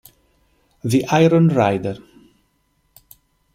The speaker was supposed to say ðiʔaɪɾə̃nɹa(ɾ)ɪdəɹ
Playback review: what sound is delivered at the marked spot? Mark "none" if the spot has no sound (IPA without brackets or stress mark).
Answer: none